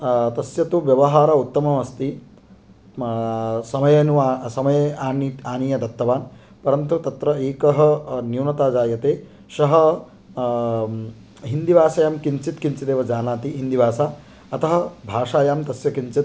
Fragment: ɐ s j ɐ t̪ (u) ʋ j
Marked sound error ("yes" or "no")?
no